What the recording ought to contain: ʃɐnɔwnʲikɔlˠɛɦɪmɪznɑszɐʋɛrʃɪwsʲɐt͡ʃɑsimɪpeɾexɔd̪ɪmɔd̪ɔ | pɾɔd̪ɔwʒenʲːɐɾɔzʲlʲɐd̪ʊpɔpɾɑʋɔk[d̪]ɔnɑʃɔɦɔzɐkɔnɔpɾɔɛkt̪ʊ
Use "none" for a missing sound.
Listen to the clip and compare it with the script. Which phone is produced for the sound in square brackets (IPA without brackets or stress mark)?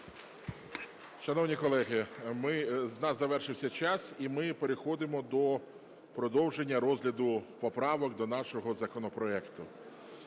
d̪